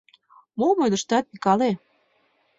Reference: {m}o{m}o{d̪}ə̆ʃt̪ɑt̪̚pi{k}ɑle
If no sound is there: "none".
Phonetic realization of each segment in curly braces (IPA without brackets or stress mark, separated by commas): m, m, d̪, k